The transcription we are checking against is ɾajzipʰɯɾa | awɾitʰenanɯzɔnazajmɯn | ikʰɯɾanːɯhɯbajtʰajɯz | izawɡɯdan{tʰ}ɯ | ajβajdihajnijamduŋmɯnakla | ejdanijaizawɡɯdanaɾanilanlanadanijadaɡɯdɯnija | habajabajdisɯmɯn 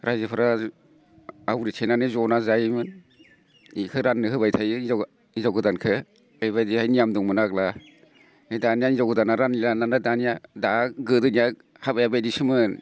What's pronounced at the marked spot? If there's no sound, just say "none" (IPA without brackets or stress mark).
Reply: kʰ